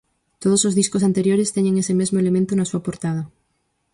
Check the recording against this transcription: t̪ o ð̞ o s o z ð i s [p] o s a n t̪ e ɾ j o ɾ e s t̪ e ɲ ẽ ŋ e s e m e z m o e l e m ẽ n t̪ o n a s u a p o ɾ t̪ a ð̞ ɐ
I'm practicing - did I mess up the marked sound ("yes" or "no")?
yes